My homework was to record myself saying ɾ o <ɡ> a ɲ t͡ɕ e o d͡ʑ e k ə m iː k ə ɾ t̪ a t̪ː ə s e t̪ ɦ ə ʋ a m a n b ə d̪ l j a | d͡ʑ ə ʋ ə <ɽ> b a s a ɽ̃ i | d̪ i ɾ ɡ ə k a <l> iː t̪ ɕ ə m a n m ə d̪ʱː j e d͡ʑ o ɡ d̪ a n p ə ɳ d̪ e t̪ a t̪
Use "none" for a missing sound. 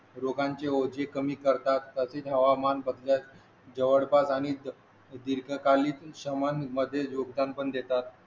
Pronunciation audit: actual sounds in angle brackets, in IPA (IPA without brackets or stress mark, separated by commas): ɡ, ɽ, l